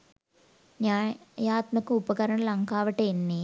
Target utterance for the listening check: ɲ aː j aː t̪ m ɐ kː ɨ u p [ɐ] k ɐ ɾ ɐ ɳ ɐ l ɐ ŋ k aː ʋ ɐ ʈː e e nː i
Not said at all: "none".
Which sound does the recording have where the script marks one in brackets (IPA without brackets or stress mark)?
ɐ